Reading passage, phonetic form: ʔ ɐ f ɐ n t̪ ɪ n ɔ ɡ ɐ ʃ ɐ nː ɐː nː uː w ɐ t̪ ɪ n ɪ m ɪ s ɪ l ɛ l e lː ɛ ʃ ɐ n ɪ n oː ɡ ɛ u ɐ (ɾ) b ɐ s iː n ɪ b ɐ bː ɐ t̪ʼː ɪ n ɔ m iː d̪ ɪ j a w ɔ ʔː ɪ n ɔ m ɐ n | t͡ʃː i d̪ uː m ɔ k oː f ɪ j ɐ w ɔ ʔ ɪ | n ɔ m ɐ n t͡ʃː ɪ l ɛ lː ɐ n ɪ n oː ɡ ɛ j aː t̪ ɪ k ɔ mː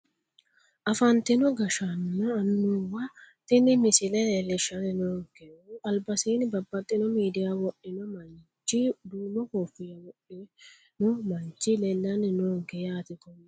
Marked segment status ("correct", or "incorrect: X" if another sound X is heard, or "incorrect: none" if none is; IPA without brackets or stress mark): incorrect: l